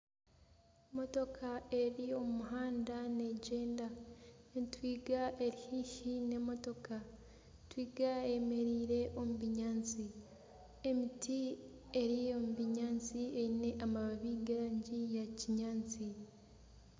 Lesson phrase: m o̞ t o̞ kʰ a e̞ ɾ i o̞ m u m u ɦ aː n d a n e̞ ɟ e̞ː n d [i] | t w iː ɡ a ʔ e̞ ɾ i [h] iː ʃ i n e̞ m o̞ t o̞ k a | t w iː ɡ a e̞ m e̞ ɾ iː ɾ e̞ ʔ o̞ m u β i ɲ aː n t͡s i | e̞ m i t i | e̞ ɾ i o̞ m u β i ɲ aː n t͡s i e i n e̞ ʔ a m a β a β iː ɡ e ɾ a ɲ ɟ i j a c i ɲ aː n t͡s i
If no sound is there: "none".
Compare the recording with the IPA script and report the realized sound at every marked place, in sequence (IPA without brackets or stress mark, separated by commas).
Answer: a, h